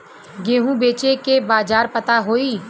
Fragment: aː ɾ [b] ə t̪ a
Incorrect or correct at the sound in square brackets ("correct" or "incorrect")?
incorrect